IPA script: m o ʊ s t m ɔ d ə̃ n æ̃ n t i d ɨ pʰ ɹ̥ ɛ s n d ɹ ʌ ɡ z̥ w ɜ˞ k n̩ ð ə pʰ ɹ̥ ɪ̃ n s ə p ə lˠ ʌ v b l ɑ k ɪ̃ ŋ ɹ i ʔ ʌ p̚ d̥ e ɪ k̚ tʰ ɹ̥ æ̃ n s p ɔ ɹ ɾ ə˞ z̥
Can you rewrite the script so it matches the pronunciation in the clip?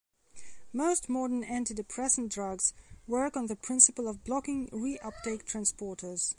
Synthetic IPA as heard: m o ʊ s t m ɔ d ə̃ n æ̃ n t i d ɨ pʰ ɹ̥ ɛ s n d ɹ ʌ ɡ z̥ w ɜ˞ k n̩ ð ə pʰ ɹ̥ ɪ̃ n s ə p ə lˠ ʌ v b l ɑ k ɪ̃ ŋ ɹ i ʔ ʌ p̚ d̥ e ɪ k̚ tʰ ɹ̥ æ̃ n s p ɔ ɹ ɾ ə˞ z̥